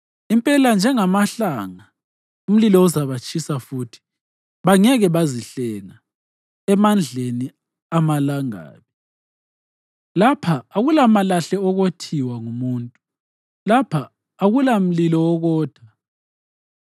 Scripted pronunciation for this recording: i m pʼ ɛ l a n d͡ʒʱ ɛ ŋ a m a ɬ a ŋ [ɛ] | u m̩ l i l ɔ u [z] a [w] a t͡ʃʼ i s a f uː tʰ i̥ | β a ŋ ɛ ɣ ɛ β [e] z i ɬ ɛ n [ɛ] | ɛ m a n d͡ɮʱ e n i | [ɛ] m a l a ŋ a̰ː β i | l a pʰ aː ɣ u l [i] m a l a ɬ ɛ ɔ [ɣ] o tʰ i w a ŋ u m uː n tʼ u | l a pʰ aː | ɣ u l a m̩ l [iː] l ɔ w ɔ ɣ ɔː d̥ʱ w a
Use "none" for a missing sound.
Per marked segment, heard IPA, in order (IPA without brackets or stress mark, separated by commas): a, z, β, a, a, a, a, ɣ, i